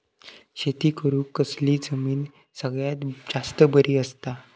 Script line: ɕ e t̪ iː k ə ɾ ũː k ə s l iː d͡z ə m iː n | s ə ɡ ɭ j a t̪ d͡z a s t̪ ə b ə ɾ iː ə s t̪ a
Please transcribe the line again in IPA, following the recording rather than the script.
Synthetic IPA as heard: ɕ e t̪ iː k ə ɾ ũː k ə s l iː d͡z ə m iː n | s ə ɡ ɭ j a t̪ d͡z a s t̪ ə b ə ɾ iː ə s t̪ a